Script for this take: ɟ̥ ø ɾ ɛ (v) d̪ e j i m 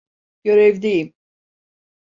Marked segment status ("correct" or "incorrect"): correct